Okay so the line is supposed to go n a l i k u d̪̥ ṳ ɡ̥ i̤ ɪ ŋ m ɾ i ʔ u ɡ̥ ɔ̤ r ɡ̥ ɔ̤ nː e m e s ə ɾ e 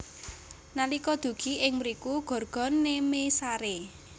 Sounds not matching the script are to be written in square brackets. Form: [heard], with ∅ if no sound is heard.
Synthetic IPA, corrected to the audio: n a l i k [ɔ] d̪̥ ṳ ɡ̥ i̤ ɪ ŋ m ɾ i [k] u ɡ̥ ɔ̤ r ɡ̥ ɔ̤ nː e m e s [a] ɾ e